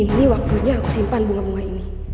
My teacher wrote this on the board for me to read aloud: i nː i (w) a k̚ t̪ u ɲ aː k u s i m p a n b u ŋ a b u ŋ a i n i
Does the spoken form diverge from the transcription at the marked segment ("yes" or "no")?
no